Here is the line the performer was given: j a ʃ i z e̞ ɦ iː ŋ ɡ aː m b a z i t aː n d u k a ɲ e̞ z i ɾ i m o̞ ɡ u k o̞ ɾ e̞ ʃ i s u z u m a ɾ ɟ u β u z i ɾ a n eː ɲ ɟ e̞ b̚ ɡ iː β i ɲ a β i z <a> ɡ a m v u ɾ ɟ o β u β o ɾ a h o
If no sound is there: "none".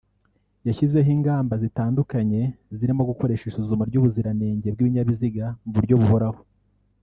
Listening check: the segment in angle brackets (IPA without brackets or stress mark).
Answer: i